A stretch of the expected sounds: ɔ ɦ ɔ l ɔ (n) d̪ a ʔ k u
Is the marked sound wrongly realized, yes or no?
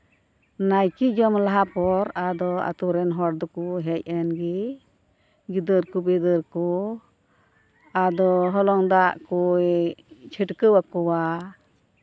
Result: yes